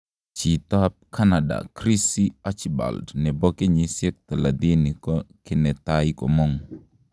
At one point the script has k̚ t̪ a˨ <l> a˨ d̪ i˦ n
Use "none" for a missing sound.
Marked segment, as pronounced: l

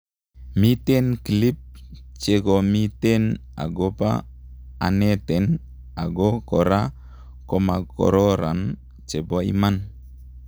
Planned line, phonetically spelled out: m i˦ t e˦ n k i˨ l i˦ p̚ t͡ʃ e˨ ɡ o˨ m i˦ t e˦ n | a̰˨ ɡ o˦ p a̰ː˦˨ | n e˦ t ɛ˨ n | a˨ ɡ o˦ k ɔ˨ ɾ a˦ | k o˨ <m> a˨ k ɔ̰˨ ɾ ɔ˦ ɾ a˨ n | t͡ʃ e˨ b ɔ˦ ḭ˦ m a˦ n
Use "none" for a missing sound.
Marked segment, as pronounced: m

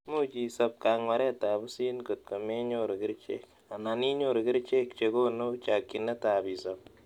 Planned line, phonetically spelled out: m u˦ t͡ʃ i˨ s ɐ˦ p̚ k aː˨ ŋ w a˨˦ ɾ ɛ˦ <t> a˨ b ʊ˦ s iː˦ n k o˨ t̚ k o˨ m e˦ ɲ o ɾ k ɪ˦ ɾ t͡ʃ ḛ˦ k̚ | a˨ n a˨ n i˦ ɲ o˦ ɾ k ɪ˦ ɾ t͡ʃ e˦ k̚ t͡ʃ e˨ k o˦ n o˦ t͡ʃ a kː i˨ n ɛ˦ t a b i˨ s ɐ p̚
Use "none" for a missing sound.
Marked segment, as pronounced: t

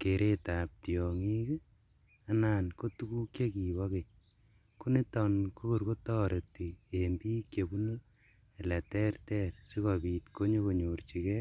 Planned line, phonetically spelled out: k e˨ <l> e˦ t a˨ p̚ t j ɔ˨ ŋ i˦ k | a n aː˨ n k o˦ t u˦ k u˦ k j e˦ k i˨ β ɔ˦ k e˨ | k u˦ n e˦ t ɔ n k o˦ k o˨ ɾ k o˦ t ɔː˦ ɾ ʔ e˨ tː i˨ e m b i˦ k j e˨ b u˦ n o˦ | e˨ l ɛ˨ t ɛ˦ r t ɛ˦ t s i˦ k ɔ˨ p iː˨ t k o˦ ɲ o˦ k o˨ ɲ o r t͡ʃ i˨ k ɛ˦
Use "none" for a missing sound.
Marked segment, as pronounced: ɾ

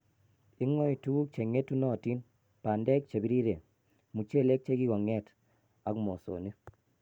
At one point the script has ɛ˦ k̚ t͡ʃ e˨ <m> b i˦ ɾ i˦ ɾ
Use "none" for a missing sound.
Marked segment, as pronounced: none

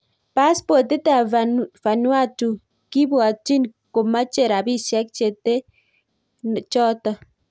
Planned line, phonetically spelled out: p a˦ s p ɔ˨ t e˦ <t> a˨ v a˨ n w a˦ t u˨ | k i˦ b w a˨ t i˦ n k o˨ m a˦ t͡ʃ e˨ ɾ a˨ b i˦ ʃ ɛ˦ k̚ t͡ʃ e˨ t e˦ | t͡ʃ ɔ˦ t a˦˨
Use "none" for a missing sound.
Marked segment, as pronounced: t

